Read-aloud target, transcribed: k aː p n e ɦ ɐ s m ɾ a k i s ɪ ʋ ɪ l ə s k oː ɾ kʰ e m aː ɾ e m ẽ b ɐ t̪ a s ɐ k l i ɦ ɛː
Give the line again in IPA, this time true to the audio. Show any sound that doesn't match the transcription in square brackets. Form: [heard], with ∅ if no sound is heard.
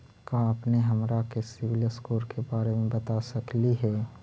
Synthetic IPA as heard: k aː p n e ɦ ɐ [∅] m ɾ a k [e] s ɪ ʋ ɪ l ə s k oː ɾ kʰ e [b] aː ɾ e m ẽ b ɐ t̪ a s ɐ k l i ɦ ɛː